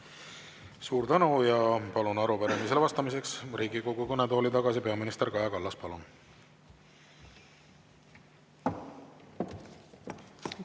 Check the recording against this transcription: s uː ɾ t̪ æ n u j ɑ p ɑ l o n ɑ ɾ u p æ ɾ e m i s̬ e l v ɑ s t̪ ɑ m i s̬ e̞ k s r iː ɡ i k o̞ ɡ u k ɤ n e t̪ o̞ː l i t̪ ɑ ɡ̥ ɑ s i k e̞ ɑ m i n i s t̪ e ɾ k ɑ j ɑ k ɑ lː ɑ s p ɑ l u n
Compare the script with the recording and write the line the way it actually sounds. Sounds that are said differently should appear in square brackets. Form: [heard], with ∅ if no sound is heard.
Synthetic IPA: s uː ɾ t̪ æ n u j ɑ p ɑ l [u] n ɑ ɾ u p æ ɾ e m i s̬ e l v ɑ s t̪ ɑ m i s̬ e̞ k s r iː ɡ i k o̞ ɡ u k ɤ n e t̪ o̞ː l i t̪ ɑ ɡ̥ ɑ s i [p] e̞ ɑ m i n i s t̪ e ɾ k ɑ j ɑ k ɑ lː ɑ s p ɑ l u n